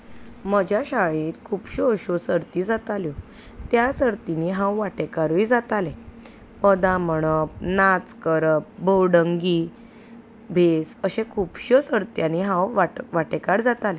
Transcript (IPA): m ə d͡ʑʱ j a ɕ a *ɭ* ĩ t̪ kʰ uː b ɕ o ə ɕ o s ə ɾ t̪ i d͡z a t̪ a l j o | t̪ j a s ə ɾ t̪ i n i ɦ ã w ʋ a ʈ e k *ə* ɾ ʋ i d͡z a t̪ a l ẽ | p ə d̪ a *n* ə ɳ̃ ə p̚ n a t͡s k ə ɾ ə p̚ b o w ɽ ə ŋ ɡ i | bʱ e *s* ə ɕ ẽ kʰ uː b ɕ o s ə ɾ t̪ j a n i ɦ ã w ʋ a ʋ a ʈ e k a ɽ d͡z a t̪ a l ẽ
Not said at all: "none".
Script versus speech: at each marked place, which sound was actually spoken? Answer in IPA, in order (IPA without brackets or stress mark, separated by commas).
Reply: ɭ, a, m, s